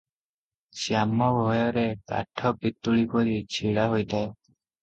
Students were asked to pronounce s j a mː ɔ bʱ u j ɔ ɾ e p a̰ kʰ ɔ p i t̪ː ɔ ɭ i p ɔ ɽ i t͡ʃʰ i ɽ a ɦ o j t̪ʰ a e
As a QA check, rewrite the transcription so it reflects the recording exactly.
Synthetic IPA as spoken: s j a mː ɔ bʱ ɔ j ɔ ɾ e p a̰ ʈʰ ɔ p i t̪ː u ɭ i p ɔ ɾ i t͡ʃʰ i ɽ a ɦ o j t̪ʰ a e